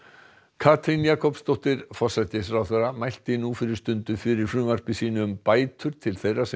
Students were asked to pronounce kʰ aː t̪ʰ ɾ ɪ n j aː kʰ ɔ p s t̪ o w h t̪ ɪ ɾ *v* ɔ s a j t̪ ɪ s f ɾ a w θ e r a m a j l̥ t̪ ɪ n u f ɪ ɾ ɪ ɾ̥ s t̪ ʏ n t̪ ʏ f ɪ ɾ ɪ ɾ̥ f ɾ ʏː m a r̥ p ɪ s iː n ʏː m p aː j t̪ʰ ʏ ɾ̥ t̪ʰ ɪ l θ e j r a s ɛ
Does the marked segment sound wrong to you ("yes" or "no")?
yes